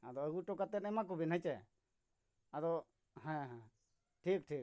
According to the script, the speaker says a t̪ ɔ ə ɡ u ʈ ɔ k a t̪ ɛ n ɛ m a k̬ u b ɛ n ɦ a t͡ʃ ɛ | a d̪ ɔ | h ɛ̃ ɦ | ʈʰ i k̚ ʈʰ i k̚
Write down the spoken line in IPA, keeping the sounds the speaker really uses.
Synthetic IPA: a d̪ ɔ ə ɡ u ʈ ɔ k a t̪ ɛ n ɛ m a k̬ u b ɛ n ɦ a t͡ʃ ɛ | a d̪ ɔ | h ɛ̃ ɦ | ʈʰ i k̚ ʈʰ i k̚